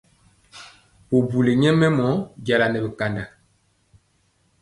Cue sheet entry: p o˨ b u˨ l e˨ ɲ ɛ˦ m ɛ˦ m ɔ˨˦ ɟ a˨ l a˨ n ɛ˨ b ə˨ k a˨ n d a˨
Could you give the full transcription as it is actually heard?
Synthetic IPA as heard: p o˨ b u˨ l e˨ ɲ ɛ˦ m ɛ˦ m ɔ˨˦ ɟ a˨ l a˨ n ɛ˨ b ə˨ k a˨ n d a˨

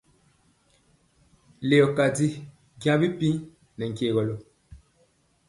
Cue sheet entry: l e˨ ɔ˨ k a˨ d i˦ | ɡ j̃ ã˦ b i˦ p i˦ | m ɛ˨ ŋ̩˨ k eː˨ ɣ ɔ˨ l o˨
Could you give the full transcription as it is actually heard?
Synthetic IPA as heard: l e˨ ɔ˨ k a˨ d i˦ | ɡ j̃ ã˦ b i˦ p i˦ | n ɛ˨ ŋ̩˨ k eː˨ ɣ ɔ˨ l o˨

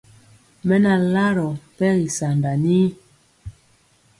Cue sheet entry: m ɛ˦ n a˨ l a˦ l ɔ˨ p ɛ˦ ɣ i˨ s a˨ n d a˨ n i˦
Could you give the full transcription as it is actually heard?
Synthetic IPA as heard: m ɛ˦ n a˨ l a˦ ɾ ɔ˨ p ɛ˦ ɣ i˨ s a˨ n d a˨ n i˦

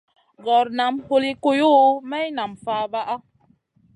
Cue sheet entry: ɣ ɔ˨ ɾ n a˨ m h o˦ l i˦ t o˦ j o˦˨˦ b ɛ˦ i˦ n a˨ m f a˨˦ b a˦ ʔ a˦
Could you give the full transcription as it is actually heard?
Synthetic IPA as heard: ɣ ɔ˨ ɾ n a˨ m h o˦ l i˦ k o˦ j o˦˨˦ m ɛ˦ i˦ n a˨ m f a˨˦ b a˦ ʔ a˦

